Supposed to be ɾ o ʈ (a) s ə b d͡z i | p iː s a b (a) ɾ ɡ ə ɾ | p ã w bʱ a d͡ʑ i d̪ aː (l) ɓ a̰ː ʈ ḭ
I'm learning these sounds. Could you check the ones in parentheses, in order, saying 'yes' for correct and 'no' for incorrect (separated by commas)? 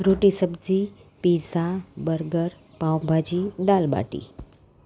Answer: no, no, yes